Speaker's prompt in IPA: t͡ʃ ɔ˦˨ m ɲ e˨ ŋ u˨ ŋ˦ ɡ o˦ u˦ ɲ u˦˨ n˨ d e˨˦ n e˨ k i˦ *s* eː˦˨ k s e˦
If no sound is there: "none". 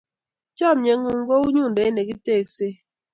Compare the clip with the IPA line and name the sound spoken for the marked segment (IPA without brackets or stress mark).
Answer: t